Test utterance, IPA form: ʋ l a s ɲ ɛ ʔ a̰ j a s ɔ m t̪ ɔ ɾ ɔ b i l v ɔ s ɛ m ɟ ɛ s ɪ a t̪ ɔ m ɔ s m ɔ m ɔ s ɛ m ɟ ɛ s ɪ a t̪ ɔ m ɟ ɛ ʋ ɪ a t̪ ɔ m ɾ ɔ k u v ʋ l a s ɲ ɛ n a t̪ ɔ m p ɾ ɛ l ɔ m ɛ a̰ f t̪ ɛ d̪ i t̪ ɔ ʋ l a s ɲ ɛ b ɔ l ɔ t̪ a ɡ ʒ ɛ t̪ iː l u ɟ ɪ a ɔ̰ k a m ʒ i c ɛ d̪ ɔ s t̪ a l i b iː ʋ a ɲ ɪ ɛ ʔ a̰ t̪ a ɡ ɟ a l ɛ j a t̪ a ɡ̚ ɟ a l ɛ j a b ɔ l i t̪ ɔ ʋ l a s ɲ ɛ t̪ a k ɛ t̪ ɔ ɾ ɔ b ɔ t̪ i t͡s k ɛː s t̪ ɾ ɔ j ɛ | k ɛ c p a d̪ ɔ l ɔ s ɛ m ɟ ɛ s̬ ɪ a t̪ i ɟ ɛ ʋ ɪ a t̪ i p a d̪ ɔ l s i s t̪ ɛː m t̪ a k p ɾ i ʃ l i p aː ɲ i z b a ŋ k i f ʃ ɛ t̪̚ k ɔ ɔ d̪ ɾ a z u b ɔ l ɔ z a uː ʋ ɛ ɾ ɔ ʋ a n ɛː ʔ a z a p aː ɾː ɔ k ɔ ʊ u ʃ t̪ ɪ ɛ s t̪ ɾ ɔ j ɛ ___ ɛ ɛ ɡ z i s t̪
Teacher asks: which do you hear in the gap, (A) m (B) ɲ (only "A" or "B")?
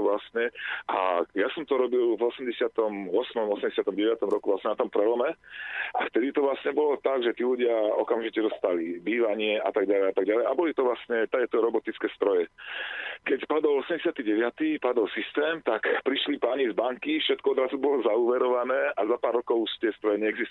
B